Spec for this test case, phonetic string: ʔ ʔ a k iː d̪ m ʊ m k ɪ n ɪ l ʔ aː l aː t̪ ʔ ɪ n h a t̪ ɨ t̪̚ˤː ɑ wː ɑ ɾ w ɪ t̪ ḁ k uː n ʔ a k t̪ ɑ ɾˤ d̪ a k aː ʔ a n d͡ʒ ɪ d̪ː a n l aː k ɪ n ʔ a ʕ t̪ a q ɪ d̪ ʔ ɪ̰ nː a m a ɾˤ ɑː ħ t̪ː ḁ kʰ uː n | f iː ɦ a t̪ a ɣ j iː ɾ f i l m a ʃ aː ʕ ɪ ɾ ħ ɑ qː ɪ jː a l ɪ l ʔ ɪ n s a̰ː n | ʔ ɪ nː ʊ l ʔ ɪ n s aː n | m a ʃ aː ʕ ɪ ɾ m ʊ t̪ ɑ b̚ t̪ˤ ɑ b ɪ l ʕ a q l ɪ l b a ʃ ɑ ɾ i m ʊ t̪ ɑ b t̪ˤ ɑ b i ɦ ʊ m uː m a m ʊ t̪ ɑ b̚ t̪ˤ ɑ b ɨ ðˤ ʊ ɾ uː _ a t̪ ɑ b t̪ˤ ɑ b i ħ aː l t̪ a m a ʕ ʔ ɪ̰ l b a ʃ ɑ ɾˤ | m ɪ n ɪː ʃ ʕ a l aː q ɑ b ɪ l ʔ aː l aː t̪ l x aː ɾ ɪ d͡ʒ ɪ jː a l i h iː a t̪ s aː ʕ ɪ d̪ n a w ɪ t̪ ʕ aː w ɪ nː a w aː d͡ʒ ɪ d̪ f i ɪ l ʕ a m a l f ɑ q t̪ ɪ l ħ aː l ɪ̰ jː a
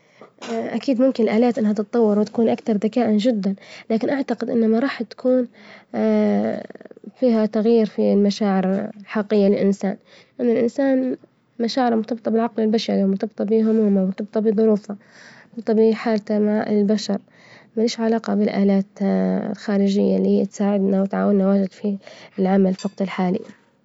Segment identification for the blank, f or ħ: f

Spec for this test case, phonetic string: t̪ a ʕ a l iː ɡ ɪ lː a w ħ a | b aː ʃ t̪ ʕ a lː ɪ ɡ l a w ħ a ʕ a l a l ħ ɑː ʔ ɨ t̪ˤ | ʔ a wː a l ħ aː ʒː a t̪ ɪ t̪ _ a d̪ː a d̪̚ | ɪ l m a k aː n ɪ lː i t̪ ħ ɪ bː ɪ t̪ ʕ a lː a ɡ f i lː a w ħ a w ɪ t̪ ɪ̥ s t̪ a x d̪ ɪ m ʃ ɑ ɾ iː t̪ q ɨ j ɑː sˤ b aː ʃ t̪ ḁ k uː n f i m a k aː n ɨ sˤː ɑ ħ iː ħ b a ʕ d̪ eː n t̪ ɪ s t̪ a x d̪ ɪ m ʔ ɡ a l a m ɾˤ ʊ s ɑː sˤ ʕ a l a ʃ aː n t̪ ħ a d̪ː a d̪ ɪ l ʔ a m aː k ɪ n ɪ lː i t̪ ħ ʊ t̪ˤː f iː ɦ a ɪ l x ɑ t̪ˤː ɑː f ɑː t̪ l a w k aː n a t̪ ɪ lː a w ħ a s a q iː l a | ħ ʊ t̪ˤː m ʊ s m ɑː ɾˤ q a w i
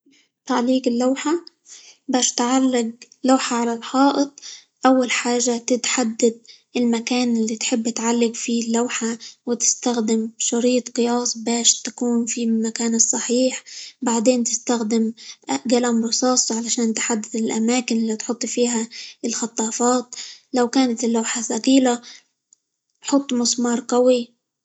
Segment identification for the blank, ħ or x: ħ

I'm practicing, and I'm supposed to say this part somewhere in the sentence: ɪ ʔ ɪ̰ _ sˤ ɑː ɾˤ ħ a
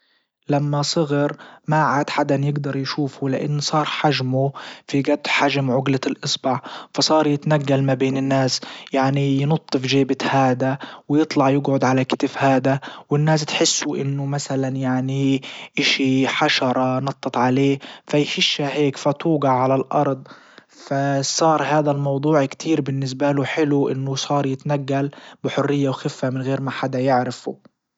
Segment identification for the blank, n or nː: nː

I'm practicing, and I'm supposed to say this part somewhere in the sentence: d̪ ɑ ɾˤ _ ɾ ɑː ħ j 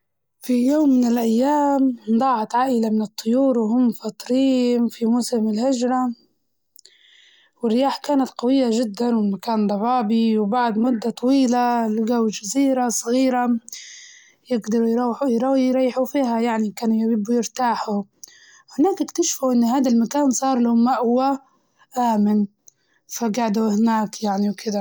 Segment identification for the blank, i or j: j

